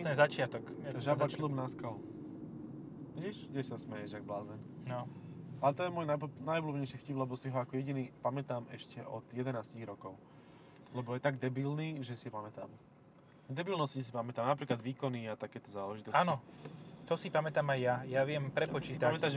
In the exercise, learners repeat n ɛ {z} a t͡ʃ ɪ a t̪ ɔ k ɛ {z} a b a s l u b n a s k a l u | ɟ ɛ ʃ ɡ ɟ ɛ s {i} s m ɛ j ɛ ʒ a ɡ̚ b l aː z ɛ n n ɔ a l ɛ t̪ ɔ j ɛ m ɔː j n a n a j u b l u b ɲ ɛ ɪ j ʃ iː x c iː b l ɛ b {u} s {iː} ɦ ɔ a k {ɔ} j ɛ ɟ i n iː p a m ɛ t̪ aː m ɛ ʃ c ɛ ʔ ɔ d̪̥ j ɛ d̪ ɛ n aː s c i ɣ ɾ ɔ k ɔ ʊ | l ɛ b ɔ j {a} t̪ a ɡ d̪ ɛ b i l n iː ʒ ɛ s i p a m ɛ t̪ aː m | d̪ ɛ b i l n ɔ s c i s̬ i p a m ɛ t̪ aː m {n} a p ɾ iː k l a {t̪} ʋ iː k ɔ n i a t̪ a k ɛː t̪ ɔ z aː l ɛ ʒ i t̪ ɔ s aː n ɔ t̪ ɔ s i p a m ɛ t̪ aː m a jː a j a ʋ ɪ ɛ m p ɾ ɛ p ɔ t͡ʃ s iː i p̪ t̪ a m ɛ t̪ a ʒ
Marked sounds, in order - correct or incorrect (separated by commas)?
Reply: correct, incorrect, incorrect, incorrect, incorrect, correct, incorrect, correct, incorrect